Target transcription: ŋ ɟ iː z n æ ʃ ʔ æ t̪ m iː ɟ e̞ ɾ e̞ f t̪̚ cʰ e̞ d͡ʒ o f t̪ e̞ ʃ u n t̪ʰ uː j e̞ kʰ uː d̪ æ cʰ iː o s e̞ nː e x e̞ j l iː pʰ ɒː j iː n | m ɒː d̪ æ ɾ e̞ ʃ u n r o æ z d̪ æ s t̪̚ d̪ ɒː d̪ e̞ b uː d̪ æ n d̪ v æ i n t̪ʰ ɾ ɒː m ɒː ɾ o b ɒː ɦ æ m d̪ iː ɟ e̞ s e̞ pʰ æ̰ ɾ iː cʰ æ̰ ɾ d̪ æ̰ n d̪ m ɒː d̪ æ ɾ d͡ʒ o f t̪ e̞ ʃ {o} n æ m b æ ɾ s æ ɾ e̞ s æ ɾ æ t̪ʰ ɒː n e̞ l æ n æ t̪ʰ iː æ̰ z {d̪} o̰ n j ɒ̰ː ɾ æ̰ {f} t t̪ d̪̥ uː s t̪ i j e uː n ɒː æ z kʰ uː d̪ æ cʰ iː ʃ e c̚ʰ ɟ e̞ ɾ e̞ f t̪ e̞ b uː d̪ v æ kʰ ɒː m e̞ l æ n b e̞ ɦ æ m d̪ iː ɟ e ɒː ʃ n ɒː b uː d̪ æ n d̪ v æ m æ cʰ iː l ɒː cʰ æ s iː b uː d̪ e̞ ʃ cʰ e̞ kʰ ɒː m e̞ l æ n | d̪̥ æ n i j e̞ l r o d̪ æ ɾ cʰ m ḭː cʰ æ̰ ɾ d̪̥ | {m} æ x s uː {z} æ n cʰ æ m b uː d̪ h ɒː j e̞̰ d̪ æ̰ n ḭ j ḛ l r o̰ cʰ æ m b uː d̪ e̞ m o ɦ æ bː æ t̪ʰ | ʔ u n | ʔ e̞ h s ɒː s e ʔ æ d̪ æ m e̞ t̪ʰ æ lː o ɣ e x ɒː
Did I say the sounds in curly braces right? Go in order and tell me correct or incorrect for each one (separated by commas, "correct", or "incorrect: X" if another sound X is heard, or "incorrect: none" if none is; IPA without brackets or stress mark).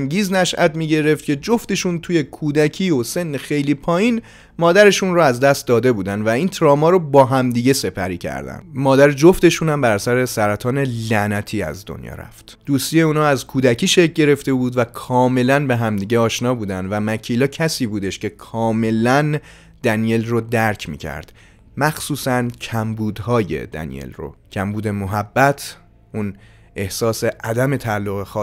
incorrect: u, correct, correct, correct, incorrect: s